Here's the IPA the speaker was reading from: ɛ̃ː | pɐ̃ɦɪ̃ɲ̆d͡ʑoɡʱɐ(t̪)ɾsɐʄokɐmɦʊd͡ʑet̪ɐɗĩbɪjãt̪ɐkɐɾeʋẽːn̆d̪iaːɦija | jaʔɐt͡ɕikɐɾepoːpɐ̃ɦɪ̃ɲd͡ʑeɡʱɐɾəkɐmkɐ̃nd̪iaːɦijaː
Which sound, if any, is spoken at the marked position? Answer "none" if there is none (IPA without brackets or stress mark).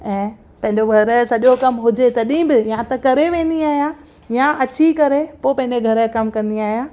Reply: none